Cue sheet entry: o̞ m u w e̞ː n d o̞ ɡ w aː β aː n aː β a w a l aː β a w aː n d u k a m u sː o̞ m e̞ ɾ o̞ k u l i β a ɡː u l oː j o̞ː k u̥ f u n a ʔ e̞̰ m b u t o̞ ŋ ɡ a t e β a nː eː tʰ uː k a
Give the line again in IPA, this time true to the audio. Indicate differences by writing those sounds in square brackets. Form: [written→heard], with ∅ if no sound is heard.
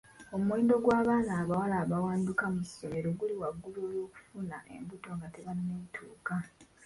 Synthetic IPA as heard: o̞ m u w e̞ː n d o̞ ɡ w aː β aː n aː β a w a l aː β a w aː n d u k a m u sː o̞ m e̞ ɾ o̞ [k→ɡ] u l i [β→w] a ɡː u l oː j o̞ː k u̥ f u n a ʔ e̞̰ m b u t o̞ ŋ ɡ a t e β a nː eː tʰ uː k a